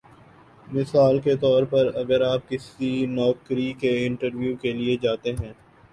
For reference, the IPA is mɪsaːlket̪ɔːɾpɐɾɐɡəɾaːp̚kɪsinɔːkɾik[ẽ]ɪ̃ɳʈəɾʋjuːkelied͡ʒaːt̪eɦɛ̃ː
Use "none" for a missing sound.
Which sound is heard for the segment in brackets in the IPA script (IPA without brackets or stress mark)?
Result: e